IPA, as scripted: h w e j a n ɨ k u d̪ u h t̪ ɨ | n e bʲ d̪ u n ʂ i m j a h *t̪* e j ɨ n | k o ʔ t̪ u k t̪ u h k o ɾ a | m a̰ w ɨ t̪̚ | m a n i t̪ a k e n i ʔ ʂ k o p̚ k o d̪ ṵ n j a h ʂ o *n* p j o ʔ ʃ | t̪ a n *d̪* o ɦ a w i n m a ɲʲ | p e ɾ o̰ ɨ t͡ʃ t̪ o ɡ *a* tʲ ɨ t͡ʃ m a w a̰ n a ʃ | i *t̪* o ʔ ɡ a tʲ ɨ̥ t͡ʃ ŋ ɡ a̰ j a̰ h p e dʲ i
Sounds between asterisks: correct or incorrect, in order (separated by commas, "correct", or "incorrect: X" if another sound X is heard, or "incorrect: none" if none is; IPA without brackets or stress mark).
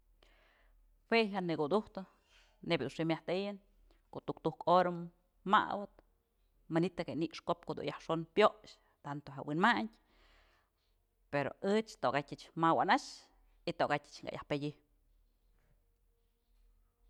correct, correct, incorrect: t̪, correct, correct